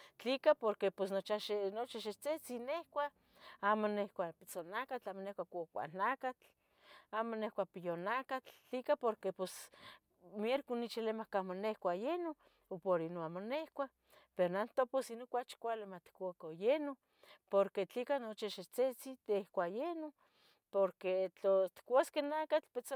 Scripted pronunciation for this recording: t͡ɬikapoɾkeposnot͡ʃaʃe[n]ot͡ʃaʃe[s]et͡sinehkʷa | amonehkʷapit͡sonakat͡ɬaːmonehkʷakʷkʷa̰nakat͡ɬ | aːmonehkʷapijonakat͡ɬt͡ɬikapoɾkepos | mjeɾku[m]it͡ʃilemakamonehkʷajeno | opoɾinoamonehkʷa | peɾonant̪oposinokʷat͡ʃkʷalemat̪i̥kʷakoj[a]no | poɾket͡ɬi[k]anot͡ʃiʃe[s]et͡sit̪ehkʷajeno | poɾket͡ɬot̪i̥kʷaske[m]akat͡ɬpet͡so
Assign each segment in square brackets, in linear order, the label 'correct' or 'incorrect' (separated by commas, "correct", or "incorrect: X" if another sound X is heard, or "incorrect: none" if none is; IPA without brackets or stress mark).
correct, incorrect: t͡s, incorrect: n, incorrect: e, correct, incorrect: t͡s, incorrect: n